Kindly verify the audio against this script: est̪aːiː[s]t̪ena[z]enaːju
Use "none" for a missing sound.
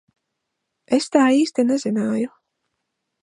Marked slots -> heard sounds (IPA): s, z

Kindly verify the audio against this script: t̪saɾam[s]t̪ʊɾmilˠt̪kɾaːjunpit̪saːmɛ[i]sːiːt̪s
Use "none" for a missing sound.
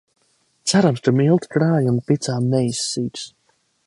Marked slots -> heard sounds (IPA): s, j

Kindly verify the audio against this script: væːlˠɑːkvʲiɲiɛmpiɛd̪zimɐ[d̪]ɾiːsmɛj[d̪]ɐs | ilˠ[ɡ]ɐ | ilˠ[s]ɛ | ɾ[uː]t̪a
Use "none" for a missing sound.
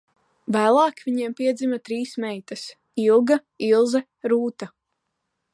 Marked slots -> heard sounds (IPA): t̪, t̪, ɡ, z, uː

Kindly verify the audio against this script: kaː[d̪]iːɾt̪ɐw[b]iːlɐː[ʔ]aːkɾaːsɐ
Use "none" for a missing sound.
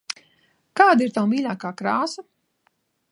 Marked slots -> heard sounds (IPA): d̪, m, k

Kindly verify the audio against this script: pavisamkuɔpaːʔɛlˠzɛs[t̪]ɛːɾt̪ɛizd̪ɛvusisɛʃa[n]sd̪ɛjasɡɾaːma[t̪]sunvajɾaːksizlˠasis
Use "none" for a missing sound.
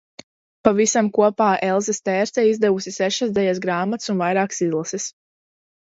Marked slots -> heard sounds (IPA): t̪, none, t̪

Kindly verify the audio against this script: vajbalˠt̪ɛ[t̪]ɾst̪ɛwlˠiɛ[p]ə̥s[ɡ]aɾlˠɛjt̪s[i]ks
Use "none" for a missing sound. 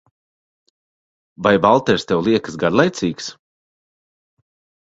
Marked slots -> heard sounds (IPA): none, k, ɡ, iː

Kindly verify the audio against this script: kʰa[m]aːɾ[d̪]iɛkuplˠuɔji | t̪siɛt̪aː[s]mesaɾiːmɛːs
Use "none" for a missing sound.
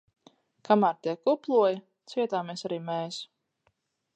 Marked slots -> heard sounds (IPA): m, t̪, none

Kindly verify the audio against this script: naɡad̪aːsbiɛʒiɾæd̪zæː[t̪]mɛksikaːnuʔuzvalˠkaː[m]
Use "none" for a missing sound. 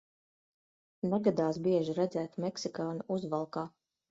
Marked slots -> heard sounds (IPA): t̪, none

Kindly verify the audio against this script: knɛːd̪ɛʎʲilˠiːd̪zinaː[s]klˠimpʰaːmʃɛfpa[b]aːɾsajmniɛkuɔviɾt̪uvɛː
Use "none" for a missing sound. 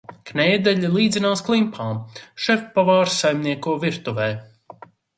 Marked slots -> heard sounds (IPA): s, v

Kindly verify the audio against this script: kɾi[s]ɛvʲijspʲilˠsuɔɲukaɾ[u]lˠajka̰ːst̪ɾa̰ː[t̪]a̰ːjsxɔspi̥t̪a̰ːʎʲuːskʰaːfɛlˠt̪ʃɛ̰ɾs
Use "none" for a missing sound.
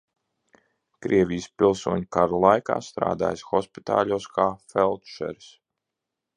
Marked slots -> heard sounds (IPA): none, u, d̪

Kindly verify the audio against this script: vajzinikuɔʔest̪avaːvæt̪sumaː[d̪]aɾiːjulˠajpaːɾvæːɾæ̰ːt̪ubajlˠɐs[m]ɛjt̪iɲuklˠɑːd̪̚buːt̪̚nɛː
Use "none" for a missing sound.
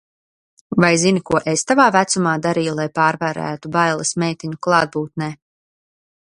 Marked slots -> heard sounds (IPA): d̪, m

